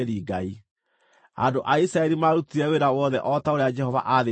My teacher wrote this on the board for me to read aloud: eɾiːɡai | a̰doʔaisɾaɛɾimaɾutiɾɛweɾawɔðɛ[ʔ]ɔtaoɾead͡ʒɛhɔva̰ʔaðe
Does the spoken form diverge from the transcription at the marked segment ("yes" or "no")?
no